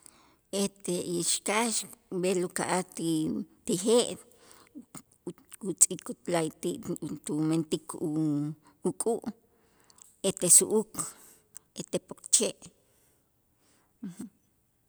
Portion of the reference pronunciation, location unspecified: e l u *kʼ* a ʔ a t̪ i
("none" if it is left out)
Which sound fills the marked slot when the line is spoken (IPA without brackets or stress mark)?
k